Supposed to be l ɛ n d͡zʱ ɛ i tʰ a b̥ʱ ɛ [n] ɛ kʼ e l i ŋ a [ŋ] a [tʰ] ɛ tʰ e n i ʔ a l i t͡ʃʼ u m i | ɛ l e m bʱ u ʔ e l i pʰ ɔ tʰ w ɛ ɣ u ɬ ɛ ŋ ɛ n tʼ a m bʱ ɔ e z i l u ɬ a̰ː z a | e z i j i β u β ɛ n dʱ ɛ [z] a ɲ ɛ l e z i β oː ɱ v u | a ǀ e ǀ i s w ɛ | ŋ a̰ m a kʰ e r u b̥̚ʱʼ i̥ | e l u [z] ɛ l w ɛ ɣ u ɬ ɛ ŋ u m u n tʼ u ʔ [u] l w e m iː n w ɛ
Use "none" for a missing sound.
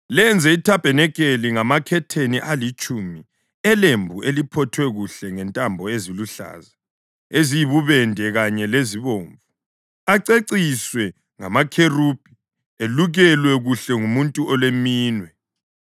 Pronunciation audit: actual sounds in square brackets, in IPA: n, m, kʰ, ɣ, ɣ, ɔ

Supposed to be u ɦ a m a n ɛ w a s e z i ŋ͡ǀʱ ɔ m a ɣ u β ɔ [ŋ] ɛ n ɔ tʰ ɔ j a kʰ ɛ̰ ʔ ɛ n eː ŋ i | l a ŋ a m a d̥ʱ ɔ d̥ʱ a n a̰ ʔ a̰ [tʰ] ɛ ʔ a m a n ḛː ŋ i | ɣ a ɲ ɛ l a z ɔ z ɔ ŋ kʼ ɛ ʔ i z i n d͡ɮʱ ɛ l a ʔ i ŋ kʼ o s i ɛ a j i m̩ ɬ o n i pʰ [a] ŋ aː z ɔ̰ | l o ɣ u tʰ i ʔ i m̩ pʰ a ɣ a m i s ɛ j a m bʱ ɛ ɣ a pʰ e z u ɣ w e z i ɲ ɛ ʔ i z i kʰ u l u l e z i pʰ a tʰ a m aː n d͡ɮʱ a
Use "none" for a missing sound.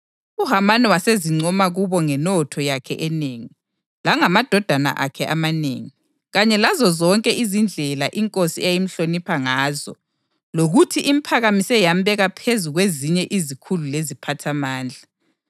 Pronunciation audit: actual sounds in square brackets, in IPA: ŋ, kʰ, a

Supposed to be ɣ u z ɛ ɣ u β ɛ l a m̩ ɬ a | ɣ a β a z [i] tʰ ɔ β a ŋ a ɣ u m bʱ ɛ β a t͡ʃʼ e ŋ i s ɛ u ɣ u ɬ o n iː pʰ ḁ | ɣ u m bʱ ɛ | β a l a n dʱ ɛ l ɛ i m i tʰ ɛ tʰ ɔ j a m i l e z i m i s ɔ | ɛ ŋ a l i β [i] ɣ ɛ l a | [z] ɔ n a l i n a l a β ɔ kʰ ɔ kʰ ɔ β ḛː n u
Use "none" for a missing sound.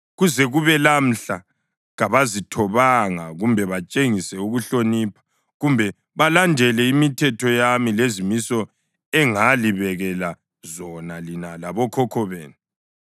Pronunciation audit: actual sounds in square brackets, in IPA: i, ɛ, z

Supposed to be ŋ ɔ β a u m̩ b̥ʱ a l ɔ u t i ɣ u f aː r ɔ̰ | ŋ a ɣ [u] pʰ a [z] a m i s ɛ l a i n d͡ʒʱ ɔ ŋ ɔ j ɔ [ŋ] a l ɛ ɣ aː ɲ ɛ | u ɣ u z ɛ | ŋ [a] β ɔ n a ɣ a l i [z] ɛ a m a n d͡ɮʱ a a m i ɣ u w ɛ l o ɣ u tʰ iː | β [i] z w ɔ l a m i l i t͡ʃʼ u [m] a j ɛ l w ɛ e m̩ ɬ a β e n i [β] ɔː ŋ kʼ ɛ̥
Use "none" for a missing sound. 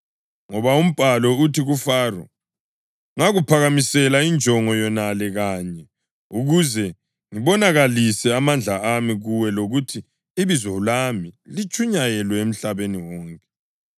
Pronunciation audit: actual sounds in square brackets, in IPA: u, ɣ, n, i, s, i, ɲ, w

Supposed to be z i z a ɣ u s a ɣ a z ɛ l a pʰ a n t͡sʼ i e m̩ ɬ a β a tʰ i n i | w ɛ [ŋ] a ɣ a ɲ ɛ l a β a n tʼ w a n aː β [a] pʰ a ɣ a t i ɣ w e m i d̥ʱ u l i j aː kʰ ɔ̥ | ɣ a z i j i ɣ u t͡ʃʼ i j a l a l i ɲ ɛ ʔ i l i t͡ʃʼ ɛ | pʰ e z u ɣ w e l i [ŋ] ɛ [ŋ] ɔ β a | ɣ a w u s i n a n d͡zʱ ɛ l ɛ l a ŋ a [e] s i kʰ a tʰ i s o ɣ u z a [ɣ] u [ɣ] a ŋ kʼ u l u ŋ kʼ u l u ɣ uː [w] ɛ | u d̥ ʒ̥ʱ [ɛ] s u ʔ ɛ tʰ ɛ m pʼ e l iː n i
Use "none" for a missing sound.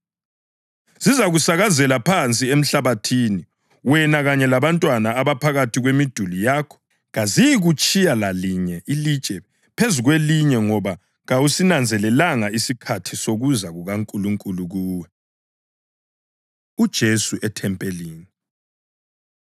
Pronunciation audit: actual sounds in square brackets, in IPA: n, a, ɲ, ŋ, i, ɣ, ɣ, w, e

